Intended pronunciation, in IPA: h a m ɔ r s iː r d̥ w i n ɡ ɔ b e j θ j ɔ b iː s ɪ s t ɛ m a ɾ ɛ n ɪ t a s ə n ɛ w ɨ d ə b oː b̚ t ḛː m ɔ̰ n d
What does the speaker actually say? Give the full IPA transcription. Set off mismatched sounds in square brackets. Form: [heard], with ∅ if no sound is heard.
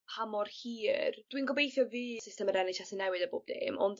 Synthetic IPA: h a m ɔ r [h] iː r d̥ w i n ɡ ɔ b e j θ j ɔ [v] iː s ɪ s t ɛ m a ɾ ɛ n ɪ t a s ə n ɛ w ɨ d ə b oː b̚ [d] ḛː m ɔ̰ n d